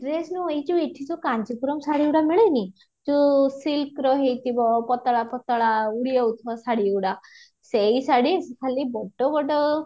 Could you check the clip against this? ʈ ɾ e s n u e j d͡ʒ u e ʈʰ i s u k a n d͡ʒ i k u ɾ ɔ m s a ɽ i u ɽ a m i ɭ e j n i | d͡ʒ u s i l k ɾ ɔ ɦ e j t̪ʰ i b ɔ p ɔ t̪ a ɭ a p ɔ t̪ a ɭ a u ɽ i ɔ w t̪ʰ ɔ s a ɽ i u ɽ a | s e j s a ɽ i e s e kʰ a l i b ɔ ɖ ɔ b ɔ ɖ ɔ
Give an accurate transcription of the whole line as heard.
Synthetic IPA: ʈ ɾ e s n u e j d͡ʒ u e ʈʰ i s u k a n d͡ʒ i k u ɾ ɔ m s a ɽ i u ɽ a m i ɭ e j n i | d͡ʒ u s i l k ɾ ɔ ɦ e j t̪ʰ i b ɔ p ɔ t̪ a ɭ a p ɔ t̪ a ɭ a u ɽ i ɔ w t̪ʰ ɔ s a ɽ i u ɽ a | s e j s a ɽ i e s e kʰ a l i b ɔ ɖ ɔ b ɔ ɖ ɔ